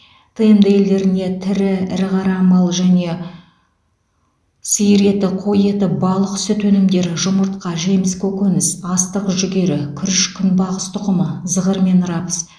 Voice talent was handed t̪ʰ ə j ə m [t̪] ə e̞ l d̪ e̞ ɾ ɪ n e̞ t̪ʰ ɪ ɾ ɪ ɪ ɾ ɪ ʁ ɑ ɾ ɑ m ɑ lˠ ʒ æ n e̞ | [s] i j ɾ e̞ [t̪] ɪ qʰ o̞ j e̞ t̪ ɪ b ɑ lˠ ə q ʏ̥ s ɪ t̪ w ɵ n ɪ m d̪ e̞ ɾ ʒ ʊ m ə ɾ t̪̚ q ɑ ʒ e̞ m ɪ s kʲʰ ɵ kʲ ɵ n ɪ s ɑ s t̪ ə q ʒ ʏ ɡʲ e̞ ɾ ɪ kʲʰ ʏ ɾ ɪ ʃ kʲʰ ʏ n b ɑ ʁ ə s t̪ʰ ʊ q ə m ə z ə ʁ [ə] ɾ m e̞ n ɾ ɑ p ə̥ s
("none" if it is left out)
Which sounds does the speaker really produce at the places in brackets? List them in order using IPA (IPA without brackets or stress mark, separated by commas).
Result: d̪, s, t̪, ə